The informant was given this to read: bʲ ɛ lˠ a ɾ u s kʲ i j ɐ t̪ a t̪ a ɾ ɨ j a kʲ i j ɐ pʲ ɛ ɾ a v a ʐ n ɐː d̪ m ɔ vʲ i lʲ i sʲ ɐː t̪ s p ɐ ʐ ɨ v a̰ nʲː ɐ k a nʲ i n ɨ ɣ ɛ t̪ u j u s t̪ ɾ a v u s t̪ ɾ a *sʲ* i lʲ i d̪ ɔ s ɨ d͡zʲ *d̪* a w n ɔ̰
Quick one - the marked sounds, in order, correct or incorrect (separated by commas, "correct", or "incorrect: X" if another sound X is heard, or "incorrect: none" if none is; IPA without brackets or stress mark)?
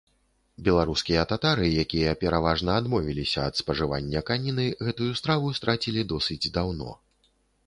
incorrect: t͡sʲ, correct